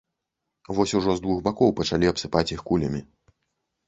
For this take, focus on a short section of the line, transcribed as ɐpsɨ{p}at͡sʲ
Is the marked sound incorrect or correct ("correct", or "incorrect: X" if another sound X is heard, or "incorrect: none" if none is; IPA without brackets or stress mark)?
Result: correct